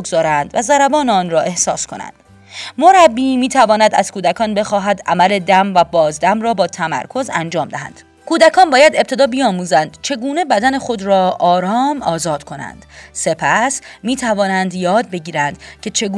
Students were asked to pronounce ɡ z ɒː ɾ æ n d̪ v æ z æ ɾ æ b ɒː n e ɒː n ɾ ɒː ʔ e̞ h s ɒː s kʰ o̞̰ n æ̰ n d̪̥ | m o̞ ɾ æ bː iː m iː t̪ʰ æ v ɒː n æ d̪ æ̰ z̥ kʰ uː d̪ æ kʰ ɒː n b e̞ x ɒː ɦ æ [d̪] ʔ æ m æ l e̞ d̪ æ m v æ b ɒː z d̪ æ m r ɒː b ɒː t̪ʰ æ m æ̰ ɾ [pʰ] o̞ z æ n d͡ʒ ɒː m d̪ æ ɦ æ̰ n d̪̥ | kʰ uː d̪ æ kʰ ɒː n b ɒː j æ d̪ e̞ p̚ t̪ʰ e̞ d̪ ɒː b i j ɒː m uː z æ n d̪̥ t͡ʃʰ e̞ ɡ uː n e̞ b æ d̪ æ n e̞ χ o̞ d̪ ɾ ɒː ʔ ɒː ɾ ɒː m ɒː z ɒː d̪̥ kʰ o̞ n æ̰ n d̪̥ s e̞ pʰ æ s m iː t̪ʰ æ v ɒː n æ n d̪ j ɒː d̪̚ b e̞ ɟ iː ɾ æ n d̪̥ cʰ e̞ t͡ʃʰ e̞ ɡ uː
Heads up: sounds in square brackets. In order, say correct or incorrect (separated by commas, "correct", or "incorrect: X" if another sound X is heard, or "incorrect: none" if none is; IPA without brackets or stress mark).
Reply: correct, incorrect: kʰ